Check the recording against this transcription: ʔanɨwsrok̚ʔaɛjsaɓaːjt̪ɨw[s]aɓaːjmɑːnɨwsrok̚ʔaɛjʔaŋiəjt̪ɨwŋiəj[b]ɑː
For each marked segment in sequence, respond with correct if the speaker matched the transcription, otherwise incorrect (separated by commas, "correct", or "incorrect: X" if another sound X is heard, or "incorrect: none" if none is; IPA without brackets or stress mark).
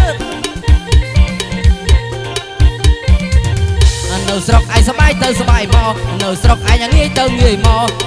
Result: correct, incorrect: m